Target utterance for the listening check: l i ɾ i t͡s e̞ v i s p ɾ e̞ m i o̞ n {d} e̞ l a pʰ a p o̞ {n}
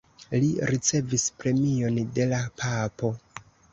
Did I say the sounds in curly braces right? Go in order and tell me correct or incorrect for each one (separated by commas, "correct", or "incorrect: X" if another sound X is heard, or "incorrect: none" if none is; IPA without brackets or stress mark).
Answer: correct, incorrect: none